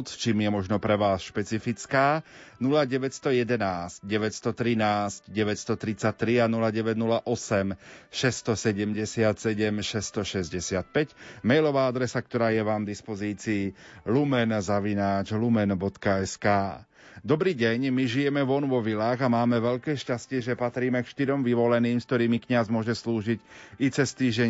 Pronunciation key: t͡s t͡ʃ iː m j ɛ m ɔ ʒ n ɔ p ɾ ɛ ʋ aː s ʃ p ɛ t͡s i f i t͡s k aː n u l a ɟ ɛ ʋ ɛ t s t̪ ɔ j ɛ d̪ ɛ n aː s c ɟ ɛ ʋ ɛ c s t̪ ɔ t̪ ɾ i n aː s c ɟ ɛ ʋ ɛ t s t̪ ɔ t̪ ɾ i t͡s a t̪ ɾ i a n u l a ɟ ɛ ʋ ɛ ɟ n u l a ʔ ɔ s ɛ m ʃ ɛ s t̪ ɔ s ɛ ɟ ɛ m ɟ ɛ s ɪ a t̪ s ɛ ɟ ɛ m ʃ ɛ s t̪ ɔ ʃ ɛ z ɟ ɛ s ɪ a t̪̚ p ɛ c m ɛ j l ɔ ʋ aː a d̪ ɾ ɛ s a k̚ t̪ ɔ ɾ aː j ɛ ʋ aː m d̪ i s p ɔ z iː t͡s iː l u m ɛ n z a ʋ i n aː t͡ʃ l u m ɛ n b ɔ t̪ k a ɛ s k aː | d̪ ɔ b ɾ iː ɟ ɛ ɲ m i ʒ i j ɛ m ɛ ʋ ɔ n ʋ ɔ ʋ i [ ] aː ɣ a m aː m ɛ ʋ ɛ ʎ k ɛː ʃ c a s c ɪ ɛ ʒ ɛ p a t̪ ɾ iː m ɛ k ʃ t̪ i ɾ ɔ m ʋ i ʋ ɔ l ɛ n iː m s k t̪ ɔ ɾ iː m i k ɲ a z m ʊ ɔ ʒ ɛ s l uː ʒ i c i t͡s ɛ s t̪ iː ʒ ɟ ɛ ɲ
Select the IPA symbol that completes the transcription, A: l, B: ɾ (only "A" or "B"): A